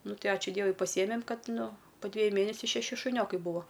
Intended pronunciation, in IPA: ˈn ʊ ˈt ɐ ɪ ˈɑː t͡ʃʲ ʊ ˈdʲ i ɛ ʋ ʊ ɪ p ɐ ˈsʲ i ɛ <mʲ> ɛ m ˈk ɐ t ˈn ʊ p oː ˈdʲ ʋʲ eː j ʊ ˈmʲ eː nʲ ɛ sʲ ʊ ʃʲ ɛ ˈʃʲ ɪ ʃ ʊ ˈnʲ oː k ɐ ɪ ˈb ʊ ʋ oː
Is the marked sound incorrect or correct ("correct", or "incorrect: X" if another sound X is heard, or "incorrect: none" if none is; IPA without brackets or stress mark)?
correct